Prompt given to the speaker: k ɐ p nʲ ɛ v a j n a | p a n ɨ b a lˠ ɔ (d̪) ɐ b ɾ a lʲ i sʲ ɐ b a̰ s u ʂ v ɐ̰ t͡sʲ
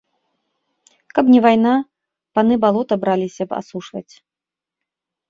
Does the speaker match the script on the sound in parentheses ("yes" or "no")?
no